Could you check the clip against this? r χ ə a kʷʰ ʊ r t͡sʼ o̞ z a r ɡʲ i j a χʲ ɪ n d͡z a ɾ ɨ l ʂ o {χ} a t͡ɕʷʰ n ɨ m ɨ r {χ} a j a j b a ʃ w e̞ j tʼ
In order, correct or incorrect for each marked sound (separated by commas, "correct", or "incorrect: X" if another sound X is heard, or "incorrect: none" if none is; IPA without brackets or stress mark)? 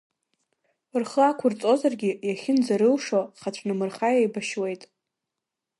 correct, correct